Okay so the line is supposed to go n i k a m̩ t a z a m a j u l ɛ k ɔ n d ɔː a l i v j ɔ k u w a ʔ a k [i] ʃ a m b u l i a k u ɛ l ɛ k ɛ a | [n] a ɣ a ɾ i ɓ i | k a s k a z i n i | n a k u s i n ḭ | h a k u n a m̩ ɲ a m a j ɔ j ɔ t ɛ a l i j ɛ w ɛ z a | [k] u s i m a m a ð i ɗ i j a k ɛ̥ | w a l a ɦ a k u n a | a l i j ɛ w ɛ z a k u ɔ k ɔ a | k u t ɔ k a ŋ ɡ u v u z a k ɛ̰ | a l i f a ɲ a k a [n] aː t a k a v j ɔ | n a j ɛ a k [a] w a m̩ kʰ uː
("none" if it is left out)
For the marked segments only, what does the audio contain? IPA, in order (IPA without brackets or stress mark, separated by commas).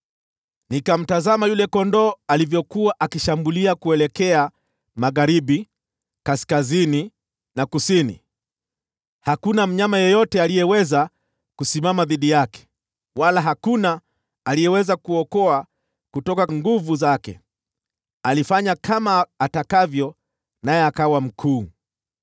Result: i, m, k, m, a